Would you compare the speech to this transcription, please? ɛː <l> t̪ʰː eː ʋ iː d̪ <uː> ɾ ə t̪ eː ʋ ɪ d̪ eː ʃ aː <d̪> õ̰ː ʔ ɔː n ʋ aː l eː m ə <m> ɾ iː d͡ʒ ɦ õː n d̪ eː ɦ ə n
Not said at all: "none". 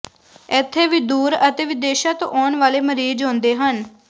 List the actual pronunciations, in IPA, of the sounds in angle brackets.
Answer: none, uː, t̪, none

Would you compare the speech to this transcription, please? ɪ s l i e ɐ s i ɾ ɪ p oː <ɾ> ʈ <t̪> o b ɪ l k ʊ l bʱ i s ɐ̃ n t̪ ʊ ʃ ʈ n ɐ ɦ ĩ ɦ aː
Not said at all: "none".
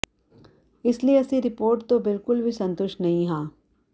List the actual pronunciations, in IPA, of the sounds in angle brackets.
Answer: ɾ, t̪

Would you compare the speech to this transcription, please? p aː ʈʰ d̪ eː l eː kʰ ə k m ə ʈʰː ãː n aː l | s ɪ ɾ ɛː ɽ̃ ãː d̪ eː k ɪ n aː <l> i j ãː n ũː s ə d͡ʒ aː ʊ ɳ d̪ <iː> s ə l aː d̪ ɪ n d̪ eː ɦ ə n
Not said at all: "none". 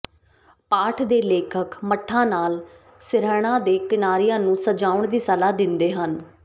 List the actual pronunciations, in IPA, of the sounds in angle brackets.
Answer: ɾ, iː

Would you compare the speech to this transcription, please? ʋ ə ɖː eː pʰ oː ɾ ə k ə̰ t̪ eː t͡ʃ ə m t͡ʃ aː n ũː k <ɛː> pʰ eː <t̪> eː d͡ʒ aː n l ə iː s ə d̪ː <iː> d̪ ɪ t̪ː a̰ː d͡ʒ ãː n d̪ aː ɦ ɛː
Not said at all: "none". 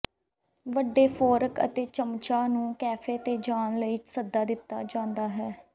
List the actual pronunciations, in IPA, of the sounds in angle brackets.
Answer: ɛː, t̪, aː

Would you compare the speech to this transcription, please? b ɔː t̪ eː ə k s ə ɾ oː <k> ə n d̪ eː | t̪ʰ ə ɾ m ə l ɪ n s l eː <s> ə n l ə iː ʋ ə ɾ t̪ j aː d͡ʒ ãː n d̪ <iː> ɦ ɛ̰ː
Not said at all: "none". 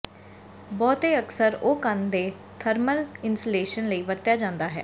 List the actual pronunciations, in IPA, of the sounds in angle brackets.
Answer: k, ʃ, aː

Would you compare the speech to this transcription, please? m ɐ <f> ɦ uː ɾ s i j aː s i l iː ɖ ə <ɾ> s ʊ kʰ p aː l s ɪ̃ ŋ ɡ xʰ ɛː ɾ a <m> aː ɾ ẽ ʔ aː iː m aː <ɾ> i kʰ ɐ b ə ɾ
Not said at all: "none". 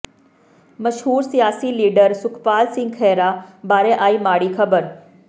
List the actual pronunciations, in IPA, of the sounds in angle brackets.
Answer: ʃ, ɾ, b, ɽ

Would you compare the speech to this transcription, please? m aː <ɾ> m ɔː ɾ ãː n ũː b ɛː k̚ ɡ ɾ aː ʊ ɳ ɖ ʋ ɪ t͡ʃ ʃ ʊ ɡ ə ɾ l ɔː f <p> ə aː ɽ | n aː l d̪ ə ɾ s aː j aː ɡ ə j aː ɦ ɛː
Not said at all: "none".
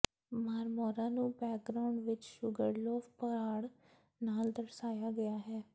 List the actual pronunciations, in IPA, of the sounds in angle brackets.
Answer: ɾ, p

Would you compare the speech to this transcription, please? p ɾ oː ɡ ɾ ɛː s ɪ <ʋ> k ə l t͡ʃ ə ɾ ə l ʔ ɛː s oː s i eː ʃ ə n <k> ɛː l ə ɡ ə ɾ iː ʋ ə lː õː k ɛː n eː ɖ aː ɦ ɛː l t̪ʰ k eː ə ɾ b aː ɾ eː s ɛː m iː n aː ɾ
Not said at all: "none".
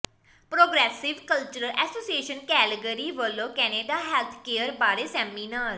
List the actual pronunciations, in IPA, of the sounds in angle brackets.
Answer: ʋ, k

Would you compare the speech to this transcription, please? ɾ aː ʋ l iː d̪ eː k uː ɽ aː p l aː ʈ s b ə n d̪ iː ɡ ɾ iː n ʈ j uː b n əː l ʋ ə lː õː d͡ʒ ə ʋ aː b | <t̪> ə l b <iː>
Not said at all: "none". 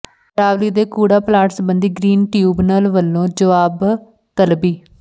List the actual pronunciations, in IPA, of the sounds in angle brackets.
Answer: t̪, iː

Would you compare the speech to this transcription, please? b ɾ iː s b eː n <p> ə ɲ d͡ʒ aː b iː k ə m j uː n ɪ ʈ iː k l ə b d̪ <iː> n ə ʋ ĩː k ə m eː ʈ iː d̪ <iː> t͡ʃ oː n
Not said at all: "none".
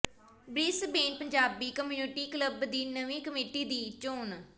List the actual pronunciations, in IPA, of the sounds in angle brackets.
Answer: p, iː, iː

